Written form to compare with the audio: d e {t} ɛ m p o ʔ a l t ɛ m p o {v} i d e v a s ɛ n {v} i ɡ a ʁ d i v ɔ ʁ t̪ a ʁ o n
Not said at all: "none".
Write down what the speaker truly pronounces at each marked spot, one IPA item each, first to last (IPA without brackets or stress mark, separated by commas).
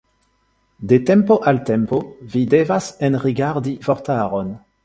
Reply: t, v, ʁ